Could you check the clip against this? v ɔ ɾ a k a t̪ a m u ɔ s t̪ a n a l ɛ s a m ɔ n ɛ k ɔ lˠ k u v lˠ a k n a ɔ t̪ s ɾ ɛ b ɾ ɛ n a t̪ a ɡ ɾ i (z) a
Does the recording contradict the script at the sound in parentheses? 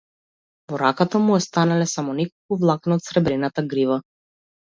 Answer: yes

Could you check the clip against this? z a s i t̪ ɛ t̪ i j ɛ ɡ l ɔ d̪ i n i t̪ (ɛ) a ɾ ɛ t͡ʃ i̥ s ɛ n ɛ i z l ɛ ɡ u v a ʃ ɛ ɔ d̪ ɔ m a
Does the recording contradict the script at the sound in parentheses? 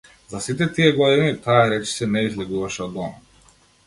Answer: yes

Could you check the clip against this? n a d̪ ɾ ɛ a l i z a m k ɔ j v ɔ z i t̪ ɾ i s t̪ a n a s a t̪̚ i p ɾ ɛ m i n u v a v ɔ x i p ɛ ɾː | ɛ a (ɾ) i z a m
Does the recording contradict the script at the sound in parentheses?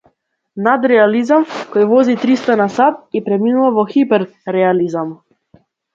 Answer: yes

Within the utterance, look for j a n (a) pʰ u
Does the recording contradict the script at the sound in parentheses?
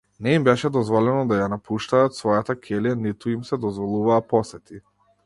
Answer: no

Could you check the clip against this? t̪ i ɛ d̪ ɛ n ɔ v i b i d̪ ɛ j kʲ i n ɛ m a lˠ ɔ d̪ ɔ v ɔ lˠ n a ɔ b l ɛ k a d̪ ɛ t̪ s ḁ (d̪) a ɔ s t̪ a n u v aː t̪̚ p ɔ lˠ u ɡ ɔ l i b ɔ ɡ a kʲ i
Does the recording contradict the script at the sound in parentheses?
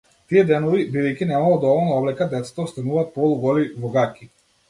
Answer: yes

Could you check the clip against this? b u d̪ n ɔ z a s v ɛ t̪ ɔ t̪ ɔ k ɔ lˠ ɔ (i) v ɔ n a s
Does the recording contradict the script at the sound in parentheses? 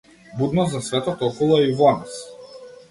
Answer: no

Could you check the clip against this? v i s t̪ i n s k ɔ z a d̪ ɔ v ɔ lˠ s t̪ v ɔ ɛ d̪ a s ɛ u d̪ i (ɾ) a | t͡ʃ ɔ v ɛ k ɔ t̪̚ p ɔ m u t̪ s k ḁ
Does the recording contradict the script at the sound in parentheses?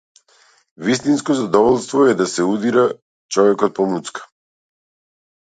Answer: no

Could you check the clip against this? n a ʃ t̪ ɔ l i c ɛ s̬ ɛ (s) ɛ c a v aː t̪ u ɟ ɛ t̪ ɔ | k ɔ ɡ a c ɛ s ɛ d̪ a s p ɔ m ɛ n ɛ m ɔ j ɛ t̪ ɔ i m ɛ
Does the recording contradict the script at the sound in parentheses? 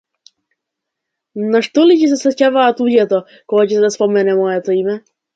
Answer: no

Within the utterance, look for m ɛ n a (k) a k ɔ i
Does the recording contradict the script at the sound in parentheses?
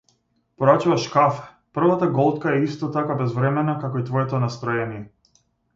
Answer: no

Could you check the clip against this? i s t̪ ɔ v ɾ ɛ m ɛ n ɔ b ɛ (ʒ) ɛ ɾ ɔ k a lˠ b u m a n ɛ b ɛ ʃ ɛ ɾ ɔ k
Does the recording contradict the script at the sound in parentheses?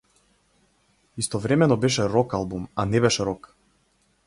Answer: yes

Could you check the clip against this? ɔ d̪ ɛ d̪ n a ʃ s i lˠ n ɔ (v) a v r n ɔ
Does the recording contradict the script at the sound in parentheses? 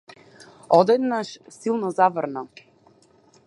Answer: yes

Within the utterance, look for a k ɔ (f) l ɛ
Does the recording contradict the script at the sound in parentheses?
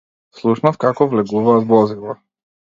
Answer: yes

